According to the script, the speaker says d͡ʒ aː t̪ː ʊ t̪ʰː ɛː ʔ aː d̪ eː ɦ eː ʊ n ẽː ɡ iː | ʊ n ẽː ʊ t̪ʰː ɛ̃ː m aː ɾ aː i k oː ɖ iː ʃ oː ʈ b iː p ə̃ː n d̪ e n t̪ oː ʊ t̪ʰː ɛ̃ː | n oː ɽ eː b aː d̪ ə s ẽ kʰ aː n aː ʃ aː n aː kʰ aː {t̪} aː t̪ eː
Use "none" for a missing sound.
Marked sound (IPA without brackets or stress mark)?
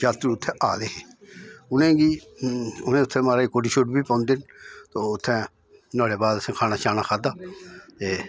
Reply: d̪